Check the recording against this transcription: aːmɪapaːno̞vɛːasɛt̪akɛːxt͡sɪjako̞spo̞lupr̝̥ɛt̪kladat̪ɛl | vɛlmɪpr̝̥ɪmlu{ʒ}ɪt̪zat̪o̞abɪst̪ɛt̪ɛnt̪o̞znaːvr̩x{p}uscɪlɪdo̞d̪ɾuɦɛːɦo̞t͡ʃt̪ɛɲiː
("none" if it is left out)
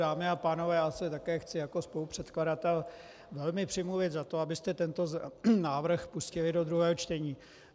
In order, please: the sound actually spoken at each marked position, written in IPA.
v, p

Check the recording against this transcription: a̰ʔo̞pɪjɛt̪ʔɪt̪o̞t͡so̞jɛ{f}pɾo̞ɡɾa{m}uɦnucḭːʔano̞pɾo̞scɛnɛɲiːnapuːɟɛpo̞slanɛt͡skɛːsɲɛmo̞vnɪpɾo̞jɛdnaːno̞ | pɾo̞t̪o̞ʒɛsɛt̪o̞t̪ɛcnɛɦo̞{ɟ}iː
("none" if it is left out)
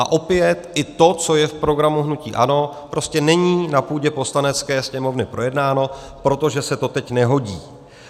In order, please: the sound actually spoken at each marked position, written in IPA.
f, m, ɟ

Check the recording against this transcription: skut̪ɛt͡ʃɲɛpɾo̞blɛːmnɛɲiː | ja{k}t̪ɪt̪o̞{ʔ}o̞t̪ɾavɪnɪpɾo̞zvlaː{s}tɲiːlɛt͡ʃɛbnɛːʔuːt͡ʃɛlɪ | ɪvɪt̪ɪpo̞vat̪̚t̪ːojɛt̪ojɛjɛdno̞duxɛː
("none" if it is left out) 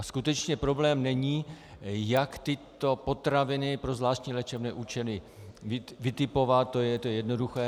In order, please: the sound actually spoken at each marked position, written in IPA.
k, p, ʃ

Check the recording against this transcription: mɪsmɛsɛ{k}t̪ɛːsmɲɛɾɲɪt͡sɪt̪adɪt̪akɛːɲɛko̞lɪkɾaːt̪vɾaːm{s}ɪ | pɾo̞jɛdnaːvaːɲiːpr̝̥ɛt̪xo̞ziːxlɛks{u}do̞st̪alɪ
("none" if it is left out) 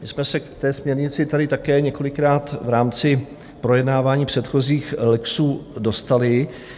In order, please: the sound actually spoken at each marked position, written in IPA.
k, t͡s, uː

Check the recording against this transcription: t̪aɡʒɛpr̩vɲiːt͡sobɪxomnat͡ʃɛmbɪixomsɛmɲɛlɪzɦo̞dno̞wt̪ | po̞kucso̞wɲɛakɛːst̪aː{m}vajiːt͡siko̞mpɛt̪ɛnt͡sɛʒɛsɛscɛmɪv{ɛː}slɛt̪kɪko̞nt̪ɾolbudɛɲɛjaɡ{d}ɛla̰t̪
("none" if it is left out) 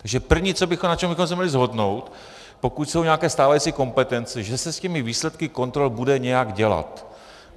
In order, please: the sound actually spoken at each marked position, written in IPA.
none, iː, ɟ

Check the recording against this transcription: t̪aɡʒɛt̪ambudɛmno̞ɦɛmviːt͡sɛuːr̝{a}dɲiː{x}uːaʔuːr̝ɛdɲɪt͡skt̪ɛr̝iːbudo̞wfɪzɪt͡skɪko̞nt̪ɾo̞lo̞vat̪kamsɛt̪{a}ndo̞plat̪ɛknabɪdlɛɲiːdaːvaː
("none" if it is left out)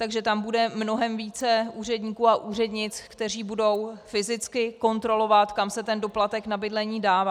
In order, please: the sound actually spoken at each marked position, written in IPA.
ɛ, k, ɛ

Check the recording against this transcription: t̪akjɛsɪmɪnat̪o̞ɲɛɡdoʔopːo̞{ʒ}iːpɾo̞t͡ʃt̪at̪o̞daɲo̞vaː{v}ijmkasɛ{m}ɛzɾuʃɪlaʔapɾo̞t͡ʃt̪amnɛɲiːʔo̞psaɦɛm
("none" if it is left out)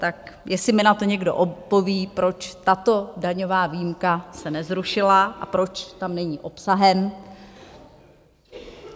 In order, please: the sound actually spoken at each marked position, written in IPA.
v, v, n

